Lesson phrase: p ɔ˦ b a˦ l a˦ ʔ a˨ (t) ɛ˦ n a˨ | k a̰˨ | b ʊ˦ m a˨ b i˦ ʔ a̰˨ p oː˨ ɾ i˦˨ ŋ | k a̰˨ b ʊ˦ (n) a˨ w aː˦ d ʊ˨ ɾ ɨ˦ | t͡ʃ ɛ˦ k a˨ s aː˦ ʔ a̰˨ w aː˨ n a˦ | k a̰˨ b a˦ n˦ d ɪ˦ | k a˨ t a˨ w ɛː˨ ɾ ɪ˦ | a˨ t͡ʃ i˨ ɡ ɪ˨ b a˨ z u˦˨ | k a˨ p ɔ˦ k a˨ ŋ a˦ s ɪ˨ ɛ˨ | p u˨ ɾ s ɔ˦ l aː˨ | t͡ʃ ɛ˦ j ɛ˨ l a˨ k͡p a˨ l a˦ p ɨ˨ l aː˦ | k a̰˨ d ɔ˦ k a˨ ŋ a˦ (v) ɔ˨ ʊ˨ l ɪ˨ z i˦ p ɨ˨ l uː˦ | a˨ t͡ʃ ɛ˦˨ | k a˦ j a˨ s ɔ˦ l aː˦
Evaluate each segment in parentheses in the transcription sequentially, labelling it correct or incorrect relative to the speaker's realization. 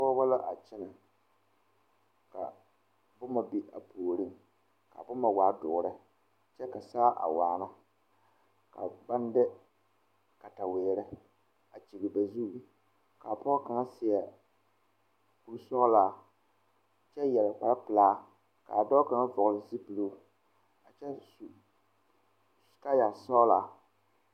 incorrect: t͡ʃ, incorrect: m, correct

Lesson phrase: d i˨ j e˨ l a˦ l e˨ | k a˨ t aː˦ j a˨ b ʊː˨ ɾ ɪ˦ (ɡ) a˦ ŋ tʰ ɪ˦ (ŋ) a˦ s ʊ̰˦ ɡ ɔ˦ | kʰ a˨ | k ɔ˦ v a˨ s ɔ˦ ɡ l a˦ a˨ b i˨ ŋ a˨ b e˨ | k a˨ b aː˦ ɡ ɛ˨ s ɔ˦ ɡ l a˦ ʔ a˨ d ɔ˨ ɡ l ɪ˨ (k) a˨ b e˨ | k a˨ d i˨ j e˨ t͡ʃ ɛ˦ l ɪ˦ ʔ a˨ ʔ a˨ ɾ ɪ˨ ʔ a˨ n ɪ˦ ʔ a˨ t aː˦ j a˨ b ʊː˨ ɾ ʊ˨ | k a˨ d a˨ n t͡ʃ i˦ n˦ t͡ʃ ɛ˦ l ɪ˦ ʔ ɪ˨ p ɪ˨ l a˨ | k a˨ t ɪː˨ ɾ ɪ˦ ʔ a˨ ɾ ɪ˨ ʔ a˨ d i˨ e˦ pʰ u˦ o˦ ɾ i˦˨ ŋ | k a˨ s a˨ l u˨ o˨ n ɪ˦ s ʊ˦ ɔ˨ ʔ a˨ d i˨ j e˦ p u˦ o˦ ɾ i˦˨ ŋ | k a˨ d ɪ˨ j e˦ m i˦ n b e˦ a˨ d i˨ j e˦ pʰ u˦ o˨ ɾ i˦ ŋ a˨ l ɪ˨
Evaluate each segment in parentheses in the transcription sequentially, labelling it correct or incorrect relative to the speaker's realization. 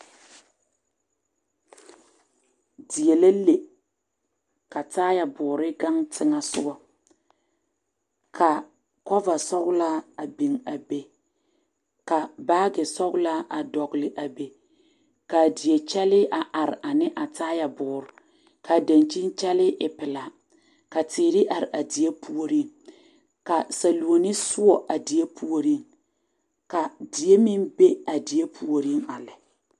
correct, correct, incorrect: ʔ

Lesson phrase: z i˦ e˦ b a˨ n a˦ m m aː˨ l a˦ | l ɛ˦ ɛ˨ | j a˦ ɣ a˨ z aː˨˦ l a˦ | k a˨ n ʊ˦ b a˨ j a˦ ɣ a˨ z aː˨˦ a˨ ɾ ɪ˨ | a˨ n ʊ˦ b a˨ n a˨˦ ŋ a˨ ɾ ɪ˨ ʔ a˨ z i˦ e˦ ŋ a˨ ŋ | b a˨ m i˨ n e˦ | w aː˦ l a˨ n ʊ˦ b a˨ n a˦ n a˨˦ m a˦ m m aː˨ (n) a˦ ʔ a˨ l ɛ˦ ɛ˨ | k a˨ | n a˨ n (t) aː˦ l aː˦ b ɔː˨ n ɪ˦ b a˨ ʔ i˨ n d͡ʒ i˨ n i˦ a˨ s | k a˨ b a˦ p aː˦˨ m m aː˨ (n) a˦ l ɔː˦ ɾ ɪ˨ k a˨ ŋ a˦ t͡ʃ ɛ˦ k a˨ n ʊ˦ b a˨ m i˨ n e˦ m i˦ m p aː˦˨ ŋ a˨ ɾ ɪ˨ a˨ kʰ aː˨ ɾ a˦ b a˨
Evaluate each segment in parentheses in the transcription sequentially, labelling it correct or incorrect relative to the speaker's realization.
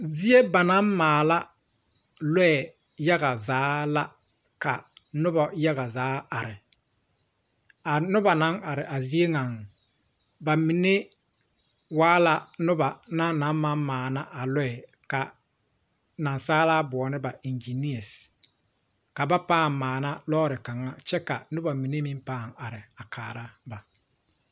correct, incorrect: s, correct

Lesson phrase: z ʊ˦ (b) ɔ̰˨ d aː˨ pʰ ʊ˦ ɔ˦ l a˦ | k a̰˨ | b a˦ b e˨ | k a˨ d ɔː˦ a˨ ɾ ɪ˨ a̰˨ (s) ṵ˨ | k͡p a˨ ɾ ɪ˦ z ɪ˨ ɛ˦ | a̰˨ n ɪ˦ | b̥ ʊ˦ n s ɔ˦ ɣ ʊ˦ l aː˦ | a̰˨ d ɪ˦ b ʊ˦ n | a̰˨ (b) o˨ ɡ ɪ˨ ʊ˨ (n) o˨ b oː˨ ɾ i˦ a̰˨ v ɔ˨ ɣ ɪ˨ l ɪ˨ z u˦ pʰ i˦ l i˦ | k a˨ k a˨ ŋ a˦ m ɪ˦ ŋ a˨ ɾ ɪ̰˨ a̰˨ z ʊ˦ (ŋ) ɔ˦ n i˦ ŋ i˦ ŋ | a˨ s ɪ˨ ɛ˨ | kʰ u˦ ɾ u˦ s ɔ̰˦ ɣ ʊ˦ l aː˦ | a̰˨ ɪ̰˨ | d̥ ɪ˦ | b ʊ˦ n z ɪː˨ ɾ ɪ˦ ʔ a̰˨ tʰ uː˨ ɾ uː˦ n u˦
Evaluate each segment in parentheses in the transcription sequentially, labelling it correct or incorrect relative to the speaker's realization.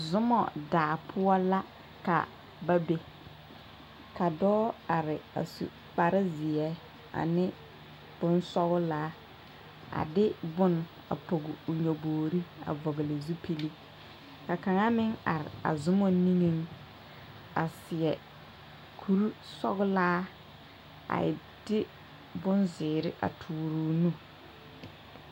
incorrect: m, correct, incorrect: p, incorrect: ɲ, incorrect: m

